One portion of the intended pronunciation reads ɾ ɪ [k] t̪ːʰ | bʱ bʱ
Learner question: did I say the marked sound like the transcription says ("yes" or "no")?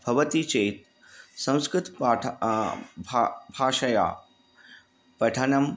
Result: no